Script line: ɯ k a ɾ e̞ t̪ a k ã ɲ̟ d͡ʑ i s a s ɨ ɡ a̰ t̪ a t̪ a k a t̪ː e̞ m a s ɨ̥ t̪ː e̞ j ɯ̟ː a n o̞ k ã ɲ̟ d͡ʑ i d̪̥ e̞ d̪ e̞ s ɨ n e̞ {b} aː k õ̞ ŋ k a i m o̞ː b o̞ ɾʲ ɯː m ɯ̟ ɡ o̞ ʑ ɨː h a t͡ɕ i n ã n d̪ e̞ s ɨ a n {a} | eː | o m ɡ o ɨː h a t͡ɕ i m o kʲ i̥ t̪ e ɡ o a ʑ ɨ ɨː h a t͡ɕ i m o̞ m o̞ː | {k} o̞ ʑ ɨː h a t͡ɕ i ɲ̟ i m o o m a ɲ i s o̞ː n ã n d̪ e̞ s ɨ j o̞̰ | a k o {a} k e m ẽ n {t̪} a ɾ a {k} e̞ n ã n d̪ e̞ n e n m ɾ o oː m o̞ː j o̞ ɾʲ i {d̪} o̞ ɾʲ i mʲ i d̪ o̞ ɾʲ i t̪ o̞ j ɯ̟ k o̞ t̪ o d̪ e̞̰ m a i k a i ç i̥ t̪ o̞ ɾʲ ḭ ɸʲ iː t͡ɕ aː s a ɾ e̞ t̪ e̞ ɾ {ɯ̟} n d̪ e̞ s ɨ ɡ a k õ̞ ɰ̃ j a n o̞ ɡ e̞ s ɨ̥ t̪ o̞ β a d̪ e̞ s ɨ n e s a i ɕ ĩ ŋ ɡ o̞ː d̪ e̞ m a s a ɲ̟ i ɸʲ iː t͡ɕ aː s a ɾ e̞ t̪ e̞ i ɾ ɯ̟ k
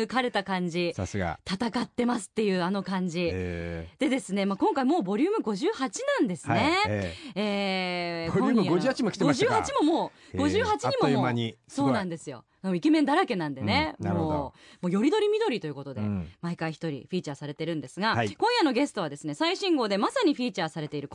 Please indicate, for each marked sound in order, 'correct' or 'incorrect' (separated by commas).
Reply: incorrect, incorrect, incorrect, incorrect, incorrect, correct, correct, incorrect